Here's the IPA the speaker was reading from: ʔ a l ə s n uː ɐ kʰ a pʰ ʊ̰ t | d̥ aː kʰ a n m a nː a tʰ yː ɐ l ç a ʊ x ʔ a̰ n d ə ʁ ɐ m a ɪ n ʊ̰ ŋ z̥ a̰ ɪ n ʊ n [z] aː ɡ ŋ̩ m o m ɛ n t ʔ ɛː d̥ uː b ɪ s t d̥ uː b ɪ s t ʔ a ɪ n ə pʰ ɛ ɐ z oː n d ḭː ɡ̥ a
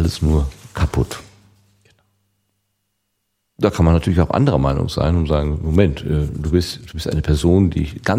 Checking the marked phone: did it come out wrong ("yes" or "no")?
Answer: no